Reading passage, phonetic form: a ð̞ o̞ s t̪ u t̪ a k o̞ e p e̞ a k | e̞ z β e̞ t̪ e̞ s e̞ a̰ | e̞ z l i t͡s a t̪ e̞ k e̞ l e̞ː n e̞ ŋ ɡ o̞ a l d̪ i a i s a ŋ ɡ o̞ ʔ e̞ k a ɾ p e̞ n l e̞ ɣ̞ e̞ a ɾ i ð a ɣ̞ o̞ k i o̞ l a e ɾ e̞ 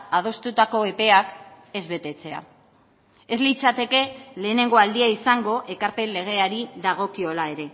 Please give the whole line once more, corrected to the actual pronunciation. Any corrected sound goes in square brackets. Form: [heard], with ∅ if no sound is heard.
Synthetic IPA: a ð̞ o̞ s t̪ u t̪ a k o̞ e p e̞ a k | e̞ z β e̞ t̪ e̞ [t͡s] e̞ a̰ | e̞ z l i t͡s a t̪ e̞ k e̞ l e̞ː n e̞ ŋ ɡ o̞ a l d̪ i a i s a ŋ ɡ o̞ ʔ e̞ k a ɾ p e̞ n l e̞ ɣ̞ e̞ a ɾ i ð a ɣ̞ o̞ k i o̞ l a e ɾ e̞